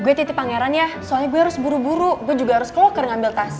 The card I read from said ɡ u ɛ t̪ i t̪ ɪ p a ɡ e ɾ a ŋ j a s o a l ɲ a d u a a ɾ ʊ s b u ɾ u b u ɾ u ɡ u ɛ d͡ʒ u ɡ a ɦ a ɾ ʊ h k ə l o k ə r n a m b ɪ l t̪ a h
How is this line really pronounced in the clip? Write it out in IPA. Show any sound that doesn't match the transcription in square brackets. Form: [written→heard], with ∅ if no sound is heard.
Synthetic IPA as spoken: ɡ u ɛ t̪ i t̪ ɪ p a [ɡ→ŋ] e ɾ a [ŋ→n] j a s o a l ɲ a [d→ɡ] u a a ɾ ʊ s b u ɾ u b u ɾ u ɡ u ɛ d͡ʒ u ɡ a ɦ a ɾ ʊ [h→s] k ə l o k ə r [n→ŋ] a m b ɪ l t̪ a [h→s]